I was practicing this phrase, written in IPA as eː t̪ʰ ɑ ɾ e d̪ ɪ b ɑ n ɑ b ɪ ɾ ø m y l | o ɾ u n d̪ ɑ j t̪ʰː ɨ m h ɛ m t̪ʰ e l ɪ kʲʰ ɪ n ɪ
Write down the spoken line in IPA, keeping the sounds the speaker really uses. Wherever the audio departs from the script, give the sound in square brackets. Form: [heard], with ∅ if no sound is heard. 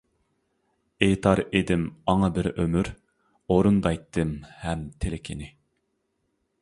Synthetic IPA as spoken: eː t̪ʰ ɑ ɾ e d̪ ɪ [m] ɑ [ŋ] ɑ b ɪ ɾ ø m y [ɾ] | o ɾ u n d̪ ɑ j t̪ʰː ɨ m h ɛ m t̪ʰ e l ɪ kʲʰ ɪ n ɪ